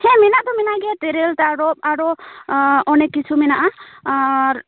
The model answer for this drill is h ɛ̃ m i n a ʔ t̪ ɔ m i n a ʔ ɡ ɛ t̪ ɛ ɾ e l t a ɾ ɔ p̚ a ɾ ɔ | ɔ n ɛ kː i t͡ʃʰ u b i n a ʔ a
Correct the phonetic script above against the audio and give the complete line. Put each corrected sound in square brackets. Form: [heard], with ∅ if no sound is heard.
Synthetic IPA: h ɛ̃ m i n a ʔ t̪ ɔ m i n a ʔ ɡ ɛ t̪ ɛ ɾ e l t a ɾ ɔ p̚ a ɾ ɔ | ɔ n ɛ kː i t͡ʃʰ u [m] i n a ʔ a